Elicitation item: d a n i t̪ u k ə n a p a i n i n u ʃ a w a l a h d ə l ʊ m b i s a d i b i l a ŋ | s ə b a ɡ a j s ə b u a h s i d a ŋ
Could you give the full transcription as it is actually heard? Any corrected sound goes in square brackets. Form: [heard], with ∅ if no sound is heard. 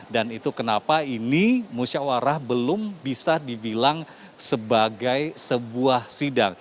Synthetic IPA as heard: d a n i t̪ u k ə n a p a i n i [m] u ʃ a w a [ɾ] a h [b] ə l ʊ m b i s a d i b i l a ŋ | s ə b a ɡ a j s ə b u a h s i d a ŋ